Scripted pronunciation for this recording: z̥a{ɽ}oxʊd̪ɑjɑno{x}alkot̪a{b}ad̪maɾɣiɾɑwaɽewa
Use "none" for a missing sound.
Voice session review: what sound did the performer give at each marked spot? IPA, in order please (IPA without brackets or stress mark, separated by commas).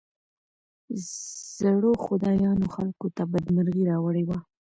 ɽ, x, b